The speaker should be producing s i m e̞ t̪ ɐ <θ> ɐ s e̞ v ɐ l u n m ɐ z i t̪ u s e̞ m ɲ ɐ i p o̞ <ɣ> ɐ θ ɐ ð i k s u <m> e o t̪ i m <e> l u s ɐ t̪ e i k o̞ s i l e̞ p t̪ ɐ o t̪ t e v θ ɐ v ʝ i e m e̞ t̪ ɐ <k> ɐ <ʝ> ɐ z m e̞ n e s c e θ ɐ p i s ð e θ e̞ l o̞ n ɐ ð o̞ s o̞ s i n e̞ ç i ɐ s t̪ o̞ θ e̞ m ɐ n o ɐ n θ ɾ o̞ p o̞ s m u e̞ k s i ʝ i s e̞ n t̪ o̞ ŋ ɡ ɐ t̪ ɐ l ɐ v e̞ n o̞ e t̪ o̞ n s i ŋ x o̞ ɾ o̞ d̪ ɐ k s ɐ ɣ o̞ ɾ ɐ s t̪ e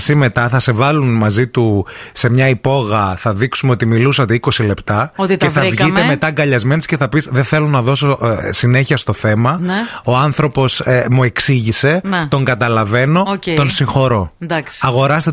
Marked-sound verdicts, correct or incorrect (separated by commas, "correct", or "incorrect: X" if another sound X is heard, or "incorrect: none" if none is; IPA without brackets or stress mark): correct, correct, correct, incorrect: i, incorrect: ɡ, incorrect: ʎ